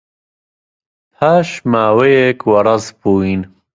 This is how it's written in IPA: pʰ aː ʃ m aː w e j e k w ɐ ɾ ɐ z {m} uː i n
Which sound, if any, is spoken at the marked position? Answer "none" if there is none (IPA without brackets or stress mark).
b